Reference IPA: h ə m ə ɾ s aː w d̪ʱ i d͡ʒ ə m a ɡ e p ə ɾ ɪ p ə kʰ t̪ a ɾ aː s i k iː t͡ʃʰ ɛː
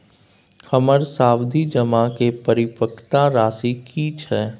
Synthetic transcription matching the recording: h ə m ə ɾ s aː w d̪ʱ i d͡ʒ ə m a k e p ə ɾ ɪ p ə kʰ t̪ a ɾ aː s i k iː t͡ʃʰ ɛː